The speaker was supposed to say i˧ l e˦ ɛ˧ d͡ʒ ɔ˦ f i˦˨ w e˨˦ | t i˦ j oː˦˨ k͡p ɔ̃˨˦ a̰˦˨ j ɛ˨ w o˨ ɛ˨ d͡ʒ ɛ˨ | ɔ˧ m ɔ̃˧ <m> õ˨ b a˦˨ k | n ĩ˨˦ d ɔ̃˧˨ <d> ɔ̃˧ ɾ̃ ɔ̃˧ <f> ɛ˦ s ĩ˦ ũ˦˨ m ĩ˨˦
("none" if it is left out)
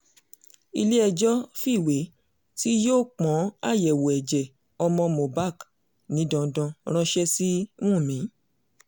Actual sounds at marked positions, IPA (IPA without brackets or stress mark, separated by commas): m, d, ʃ